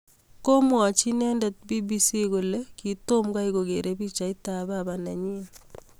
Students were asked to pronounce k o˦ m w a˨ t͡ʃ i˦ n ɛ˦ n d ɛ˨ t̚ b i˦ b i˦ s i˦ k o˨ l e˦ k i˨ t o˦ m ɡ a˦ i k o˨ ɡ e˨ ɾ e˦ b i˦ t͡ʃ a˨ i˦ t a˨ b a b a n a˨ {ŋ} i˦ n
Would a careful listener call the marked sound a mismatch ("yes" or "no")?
yes